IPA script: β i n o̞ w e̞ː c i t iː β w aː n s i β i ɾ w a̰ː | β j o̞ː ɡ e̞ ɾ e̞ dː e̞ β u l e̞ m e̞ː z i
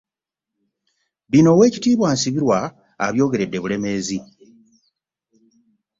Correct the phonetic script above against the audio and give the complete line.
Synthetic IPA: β i n o̞ w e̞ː c i t iː β w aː n s i β i ɾ w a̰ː | β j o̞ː ɡ e̞ ɾ e̞ dː e̞ β u l e̞ m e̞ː z i